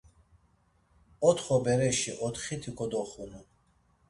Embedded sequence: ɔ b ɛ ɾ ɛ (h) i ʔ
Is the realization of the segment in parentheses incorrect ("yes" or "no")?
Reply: yes